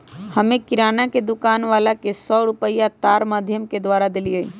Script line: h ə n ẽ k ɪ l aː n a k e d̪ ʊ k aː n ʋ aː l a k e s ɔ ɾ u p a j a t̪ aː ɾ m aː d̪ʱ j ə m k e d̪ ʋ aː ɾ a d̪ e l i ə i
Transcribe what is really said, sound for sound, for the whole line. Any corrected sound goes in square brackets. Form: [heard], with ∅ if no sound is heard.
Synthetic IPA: h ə [m] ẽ k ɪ [ɾ] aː n a k e d̪ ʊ k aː n ʋ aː l a k e s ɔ ɾ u p [ə] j a t̪ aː ɾ m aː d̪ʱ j ə m k e d̪ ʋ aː ɾ a d̪ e l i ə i